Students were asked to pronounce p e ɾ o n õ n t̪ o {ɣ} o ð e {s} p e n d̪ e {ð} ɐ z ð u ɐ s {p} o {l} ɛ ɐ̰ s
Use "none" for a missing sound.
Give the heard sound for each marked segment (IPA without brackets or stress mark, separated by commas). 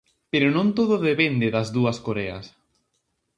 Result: ð, none, ð, k, ɾ